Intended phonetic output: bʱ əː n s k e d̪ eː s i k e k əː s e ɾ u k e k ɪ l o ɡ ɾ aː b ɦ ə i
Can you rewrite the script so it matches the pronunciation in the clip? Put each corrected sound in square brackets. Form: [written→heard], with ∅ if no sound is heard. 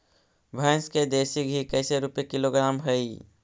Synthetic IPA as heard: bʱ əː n s k e d̪ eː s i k [e→i] k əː s e ɾ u [k→p] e k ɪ l o ɡ ɾ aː [b→m] ɦ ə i